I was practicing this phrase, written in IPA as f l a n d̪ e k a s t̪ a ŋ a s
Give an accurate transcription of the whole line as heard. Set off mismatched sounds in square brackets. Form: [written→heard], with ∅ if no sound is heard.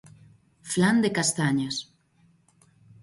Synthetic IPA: f l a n d̪ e k a s t̪ a [ŋ→ɲ] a s